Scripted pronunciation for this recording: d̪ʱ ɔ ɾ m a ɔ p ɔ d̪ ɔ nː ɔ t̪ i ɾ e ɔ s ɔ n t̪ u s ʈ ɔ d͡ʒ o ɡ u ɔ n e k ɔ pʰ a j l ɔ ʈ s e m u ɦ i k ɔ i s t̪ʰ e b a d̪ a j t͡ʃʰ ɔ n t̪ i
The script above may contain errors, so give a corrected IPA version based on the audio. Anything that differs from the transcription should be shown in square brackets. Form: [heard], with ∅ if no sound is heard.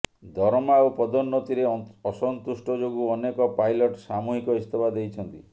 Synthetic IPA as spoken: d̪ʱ ɔ ɾ m a [o] p ɔ d̪ ɔ nː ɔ t̪ i ɾ e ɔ s ɔ n t̪ u s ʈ ɔ d͡ʒ o ɡ u ɔ n e k ɔ [p] a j l ɔ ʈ s [a] m u ɦ i k ɔ i s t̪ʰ e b a d̪ [e] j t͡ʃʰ ɔ n t̪ i